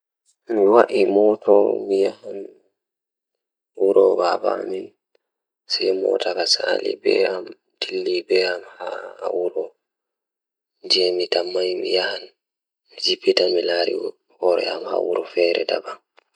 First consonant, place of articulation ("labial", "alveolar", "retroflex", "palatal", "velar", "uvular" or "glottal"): labial